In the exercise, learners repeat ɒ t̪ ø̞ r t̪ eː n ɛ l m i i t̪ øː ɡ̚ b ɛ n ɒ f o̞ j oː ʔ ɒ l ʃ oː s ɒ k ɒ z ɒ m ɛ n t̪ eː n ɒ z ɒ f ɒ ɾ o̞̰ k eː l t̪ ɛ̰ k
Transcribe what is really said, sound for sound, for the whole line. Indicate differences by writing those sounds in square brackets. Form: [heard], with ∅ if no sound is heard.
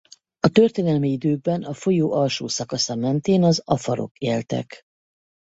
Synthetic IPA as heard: ɒ t̪ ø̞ r t̪ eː n ɛ l m i i [d̪] øː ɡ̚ b ɛ n ɒ f o̞ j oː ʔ ɒ l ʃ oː s ɒ k ɒ [s] ɒ m ɛ n t̪ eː n ɒ z ɒ f ɒ ɾ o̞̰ k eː l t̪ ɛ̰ k